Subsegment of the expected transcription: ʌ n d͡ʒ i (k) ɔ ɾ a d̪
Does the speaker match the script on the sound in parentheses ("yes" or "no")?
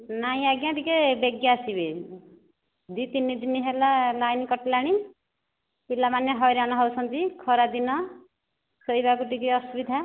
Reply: no